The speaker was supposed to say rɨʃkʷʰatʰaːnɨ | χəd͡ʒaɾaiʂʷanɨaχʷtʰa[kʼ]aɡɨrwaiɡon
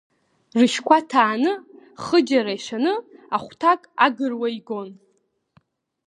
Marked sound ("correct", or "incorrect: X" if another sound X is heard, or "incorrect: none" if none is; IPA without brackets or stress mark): correct